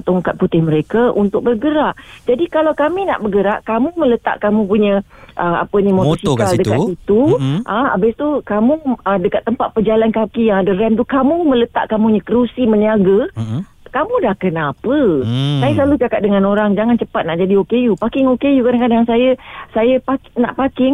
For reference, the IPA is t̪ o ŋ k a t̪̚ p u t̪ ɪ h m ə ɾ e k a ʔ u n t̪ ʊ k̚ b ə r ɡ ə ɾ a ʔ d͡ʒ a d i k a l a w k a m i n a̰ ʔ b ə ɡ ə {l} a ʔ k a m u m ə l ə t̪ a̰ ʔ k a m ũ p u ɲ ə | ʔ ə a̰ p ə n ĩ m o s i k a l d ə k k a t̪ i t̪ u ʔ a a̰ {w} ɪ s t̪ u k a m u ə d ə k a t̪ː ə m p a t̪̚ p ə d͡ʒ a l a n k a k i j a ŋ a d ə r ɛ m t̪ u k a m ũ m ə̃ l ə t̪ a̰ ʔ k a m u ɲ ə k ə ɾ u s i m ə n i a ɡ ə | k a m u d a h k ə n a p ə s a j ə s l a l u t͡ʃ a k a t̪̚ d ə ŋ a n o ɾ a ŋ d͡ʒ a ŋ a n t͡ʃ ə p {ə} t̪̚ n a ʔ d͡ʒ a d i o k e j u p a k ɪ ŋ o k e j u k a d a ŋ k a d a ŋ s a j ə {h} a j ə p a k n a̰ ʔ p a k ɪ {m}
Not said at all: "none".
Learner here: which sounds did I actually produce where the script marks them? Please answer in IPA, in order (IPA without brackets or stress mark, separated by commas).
ɾ, b, a, s, ŋ